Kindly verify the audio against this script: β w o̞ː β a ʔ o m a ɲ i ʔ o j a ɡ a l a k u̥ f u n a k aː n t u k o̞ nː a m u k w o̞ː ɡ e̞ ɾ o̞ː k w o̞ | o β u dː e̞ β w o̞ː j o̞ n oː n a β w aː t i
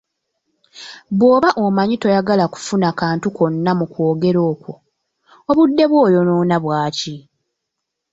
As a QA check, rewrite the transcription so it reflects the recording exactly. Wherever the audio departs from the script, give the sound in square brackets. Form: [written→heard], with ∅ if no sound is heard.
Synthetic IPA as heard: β w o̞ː β a ʔ o m a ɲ i [ʔ→t] o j a ɡ a l a k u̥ f u n a k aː n t u k o̞ nː a m u k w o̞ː ɡ e̞ ɾ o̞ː k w o̞ | o β u dː e̞ β w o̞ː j o̞ n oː n a β w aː [t→c] i